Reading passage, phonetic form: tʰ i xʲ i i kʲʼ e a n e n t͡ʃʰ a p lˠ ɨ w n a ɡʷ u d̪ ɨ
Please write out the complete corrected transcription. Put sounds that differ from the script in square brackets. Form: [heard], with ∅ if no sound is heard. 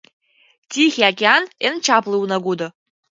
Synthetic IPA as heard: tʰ i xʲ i [a] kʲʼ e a n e n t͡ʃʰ a p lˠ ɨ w n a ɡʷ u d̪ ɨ